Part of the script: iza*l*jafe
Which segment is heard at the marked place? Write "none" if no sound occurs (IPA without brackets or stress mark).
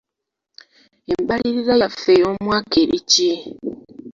none